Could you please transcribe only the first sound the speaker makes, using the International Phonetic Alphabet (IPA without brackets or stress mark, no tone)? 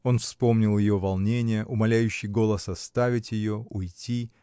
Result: o̞